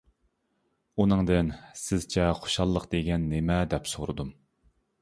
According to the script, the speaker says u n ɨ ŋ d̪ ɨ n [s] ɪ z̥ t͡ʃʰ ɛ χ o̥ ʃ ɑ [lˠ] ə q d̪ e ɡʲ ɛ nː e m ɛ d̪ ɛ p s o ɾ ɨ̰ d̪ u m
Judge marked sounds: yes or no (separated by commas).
yes, no